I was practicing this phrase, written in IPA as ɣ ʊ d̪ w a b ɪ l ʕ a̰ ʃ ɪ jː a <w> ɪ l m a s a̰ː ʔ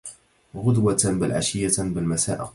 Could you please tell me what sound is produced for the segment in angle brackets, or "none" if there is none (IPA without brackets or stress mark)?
b